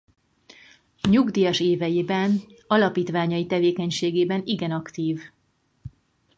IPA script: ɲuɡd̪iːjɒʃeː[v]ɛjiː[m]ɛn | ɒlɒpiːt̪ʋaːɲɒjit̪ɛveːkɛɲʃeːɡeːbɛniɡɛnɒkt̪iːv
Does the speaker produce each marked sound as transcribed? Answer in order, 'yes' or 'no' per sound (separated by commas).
yes, no